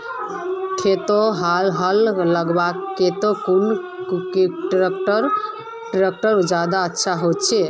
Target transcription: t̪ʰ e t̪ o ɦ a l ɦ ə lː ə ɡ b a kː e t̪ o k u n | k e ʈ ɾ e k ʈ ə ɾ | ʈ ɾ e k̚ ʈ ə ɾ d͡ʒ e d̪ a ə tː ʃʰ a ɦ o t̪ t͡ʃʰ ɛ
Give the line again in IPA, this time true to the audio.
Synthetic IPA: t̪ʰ e t̪ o ɦ a l ɦ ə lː ə ɡ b a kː e t̪ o k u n | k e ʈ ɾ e k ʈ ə ɾ | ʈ ɾ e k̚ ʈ ə ɾ d͡ʒ a d̪ a ə tː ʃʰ a ɦ o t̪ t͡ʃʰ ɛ